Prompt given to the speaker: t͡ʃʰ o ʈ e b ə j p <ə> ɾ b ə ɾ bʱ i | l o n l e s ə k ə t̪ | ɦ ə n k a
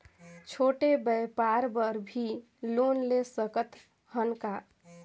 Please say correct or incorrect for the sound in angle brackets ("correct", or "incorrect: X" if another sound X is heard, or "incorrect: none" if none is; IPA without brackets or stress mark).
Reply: incorrect: a